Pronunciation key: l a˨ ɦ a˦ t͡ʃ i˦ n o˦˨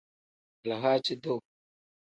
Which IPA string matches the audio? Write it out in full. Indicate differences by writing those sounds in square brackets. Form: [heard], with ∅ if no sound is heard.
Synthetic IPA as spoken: l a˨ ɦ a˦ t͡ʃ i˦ [d] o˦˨